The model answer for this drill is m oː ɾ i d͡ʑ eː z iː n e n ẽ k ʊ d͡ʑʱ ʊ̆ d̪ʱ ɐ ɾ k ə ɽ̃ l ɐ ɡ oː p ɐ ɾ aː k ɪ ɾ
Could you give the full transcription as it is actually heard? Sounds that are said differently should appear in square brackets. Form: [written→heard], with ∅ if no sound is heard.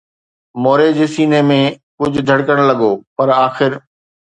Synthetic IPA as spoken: m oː ɾ [i→e] d͡ʑ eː [z→s] iː n e [n→m] ẽ k ʊ d͡ʑʱ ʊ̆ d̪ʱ ɐ [ɾ→ɽ] k ə ɽ̃ l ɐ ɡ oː p ɐ ɾ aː [k→x] ɪ ɾ